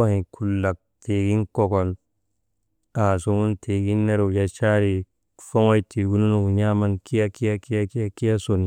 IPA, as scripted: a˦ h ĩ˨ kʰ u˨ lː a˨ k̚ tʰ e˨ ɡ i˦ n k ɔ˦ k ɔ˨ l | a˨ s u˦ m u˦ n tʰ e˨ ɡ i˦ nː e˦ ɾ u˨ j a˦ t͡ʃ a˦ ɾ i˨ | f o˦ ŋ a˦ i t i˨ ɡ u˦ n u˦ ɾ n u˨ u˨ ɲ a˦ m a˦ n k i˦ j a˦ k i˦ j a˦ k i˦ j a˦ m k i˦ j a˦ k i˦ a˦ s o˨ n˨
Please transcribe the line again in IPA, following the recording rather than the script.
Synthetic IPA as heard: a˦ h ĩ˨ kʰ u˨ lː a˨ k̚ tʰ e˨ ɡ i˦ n k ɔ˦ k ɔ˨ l | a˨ s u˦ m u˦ n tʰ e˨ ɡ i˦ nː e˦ ɾ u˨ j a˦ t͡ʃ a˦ ɾ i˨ | f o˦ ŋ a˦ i t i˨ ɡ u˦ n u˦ n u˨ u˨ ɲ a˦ m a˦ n k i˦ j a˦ k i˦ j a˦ k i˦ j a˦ k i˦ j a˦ k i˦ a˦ s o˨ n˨

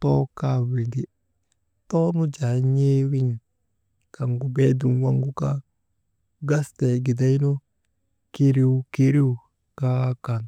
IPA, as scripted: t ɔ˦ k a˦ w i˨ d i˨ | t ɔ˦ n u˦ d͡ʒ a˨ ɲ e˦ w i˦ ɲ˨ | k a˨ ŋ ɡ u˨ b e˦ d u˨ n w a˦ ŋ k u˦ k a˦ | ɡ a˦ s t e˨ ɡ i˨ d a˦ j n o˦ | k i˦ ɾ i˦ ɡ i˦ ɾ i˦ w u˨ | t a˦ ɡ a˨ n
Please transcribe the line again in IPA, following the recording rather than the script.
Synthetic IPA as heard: t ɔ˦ k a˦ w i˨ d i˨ | t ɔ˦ n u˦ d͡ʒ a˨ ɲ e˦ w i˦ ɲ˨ | k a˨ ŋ ɡ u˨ b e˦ d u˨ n w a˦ ŋ ɡ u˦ k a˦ | ɡ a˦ s t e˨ ɡ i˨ d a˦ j n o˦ | k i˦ ɾ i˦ k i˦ ɾ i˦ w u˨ | k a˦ k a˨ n

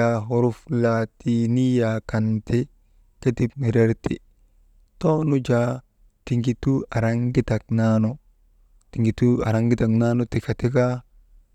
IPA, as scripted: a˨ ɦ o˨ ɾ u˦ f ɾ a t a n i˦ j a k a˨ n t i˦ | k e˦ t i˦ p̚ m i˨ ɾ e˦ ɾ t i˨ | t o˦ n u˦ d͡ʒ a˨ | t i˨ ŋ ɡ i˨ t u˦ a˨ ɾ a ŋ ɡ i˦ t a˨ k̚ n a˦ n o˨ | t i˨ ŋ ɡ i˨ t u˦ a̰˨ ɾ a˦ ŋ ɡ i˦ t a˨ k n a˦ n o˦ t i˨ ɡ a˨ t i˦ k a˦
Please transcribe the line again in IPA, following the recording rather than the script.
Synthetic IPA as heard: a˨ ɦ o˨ ɾ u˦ f l a t i n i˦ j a k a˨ n t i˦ | k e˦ t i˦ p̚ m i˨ ɾ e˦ ɾ t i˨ | t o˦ n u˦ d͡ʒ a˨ | t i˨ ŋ ɡ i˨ t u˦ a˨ ɾ a ŋ ɡ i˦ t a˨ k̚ n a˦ n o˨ | t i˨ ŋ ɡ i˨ t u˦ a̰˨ ɾ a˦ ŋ ɡ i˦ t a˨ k n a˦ n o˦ t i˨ k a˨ t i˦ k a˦

